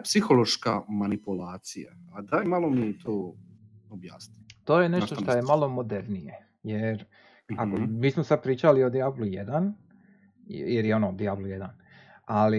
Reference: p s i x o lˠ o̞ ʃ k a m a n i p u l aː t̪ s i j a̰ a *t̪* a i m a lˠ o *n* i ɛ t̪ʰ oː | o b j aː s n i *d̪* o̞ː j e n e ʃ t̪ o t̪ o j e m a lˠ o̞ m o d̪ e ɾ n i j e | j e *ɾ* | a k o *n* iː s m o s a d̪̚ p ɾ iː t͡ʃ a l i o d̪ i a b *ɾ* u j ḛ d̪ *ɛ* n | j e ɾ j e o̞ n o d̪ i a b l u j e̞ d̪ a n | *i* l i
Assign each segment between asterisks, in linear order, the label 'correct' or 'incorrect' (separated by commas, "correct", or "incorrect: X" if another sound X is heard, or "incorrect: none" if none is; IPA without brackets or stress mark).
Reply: incorrect: d̪, incorrect: m, incorrect: t̪, correct, incorrect: m, incorrect: l, incorrect: a, incorrect: a